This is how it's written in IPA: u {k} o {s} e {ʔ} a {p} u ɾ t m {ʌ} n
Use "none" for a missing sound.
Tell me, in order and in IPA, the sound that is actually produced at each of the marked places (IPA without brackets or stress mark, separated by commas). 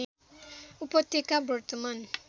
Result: p, t, k, b, a